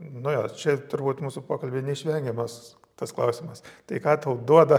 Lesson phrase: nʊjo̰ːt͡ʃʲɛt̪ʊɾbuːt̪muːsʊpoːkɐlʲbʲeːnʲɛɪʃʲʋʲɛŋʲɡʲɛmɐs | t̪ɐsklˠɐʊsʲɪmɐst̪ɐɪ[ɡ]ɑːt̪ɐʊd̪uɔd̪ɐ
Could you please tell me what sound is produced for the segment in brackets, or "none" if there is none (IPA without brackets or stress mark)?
k